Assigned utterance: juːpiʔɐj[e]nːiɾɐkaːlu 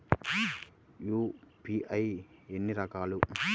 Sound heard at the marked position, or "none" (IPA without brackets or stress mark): e